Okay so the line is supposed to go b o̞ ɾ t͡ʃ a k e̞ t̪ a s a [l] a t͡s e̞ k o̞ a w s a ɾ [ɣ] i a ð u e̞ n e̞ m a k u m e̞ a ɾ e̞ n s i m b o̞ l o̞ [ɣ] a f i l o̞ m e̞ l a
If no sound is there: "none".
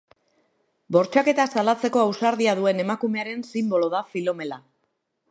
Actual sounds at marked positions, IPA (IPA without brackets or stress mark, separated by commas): l, ð, ð